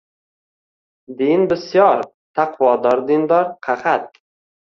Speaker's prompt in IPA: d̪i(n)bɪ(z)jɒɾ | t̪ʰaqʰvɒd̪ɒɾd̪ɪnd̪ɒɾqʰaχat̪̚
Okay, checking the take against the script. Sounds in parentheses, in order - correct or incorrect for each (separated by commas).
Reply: correct, incorrect